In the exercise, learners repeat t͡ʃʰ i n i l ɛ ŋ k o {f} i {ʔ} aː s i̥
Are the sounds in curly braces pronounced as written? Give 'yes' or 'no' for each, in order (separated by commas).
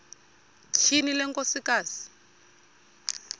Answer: no, no